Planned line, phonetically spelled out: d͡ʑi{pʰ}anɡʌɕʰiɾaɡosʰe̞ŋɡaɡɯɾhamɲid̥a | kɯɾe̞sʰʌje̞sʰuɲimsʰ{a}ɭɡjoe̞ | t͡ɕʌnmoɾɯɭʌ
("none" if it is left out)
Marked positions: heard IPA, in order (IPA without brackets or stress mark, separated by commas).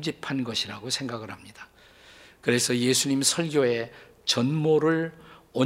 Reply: pʰ, ʌ